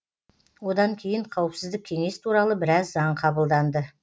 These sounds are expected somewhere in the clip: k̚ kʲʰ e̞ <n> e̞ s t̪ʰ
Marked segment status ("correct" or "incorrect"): incorrect